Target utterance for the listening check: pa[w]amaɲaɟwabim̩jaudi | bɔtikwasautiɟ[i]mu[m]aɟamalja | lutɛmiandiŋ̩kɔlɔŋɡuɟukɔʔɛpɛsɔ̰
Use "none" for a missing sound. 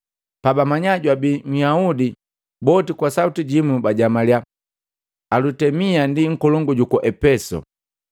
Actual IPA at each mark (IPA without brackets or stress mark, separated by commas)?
b, i, b